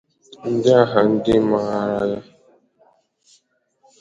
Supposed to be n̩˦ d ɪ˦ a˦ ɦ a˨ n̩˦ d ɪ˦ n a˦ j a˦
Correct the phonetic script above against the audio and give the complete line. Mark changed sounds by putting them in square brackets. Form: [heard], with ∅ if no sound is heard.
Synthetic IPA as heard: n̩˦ d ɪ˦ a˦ ɦ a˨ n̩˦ d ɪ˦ [m] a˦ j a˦